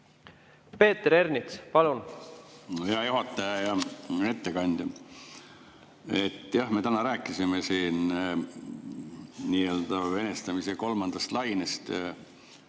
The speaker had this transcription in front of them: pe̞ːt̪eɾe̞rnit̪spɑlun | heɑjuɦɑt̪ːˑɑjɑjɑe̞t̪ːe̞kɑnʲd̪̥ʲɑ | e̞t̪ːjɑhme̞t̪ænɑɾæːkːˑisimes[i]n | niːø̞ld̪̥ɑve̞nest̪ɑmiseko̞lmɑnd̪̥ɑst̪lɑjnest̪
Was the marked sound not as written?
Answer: yes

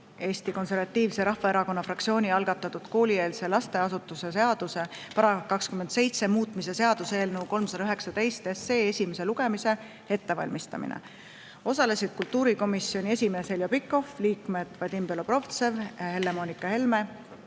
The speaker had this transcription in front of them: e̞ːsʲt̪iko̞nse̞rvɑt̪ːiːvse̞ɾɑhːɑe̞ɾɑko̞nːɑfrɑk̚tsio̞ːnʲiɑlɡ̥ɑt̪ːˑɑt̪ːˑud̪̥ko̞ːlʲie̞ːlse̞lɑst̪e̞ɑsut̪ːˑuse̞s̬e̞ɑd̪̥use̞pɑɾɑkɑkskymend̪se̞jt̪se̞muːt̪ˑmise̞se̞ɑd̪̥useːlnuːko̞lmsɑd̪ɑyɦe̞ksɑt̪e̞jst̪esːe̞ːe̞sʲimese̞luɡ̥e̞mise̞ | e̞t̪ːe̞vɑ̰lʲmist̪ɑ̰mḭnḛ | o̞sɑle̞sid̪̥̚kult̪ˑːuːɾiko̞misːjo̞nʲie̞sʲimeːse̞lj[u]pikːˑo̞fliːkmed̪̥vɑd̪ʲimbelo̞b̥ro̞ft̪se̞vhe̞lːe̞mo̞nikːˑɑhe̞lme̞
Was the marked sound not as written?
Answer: yes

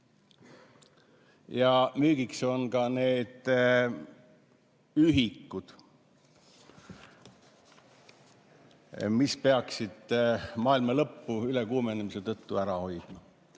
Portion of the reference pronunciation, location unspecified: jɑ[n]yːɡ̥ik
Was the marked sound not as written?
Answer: yes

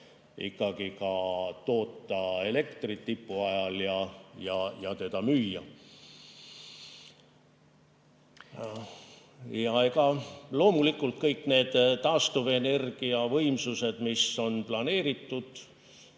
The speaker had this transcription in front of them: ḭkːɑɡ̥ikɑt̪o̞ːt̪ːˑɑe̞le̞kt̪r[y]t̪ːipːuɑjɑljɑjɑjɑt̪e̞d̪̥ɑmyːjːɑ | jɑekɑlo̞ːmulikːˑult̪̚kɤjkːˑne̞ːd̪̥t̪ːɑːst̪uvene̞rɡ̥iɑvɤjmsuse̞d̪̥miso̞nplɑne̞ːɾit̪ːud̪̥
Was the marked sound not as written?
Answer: yes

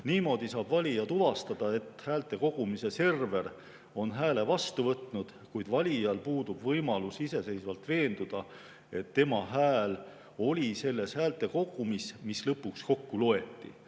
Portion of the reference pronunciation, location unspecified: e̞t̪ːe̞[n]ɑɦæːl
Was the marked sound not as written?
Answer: yes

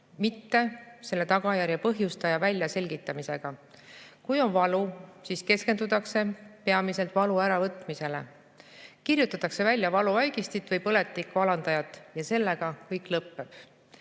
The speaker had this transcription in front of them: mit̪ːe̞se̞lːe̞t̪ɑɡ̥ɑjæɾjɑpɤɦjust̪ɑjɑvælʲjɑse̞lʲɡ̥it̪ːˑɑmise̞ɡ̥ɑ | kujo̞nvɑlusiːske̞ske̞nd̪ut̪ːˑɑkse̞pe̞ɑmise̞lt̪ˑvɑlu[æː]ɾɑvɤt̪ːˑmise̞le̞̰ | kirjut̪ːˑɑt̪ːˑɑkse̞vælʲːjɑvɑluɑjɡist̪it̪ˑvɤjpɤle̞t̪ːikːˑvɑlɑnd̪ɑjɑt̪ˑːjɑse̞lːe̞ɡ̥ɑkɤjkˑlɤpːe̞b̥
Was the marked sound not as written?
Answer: yes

